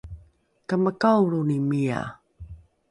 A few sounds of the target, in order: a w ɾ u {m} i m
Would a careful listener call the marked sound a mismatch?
yes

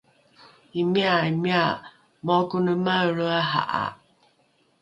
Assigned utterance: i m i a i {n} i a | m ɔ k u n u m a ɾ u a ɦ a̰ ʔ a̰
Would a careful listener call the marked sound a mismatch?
yes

